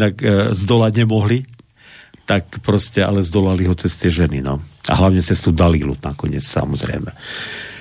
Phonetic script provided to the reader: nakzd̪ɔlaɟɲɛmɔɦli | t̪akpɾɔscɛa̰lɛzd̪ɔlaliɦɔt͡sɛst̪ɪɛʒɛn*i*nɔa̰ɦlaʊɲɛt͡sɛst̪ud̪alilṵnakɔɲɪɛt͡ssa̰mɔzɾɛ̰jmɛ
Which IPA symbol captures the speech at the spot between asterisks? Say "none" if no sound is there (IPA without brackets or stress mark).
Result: i